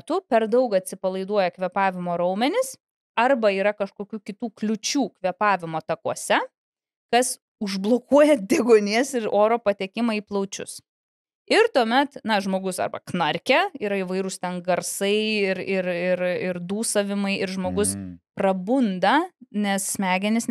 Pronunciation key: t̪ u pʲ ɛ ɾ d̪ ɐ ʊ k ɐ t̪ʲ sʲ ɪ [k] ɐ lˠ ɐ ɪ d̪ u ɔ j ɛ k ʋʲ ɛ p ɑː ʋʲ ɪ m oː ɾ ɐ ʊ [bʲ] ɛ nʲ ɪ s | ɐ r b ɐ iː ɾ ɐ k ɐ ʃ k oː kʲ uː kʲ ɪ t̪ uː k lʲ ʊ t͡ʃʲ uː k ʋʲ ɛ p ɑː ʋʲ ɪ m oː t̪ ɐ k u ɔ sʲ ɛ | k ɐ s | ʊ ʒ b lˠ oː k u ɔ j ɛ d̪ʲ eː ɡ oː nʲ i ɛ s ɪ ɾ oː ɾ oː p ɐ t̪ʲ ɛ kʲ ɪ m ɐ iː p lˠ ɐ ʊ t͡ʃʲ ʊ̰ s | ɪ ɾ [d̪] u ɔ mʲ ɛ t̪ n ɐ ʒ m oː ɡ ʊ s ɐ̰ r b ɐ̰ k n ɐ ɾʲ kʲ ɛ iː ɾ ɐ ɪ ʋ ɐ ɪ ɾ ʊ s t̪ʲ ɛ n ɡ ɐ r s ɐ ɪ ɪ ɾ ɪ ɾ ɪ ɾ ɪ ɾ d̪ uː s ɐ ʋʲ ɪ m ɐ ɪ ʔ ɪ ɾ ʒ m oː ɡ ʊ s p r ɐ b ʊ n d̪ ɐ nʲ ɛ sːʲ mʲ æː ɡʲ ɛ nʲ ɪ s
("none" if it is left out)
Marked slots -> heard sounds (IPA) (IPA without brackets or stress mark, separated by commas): p, mʲ, t̪